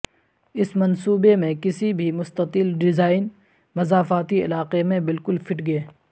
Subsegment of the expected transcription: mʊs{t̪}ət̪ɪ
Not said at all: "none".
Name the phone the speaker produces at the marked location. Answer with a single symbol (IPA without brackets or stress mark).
t̪